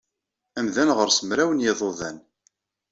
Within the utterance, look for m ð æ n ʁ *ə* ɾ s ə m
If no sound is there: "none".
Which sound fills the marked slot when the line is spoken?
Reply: ə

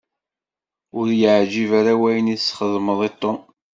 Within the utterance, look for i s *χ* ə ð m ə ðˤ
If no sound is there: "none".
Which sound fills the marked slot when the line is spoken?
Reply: χ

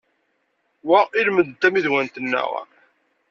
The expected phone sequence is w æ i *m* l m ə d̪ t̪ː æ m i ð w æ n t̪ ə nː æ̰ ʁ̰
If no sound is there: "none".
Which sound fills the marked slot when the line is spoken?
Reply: none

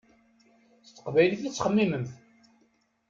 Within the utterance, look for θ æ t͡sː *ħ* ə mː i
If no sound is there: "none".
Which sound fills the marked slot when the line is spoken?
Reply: χ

